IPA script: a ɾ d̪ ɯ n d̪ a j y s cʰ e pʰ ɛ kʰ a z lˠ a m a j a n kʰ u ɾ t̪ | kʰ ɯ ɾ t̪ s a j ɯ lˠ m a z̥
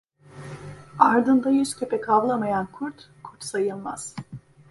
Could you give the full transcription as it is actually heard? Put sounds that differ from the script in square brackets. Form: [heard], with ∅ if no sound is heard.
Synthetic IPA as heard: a ɾ d̪ ɯ n d̪ a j y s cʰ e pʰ ɛ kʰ a [v] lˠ a m a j a n kʰ u ɾ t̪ | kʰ [u] ɾ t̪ s a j ɯ lˠ m a z̥